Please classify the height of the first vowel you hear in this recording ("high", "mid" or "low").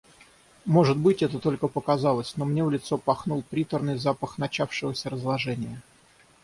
mid